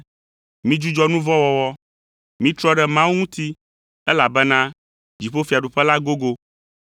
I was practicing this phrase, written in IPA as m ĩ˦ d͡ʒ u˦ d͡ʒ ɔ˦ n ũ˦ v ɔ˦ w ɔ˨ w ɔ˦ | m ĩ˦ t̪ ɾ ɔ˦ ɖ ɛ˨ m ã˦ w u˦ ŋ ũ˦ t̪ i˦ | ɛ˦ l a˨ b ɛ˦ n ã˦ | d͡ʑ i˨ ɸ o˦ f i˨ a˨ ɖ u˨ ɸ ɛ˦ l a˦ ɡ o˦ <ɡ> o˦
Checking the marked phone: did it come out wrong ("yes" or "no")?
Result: no